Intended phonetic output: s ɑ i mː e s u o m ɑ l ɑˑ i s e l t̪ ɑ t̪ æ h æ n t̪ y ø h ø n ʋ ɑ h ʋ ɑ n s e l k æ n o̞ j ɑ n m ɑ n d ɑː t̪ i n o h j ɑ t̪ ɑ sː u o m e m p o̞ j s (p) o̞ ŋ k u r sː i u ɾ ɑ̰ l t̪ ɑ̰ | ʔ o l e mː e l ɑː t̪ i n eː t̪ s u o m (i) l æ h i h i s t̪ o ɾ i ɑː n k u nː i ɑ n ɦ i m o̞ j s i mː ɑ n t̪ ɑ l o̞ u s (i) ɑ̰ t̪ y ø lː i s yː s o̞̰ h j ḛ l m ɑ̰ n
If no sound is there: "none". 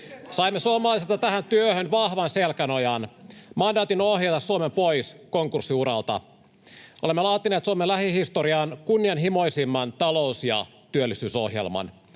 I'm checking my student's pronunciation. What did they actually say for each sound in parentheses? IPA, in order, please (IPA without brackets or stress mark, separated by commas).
k, e, j